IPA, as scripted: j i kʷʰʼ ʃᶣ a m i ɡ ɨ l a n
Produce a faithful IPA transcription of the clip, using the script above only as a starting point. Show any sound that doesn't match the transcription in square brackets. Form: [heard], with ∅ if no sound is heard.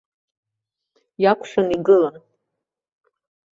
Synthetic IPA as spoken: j [a] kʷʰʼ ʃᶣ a [n] i ɡ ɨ l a n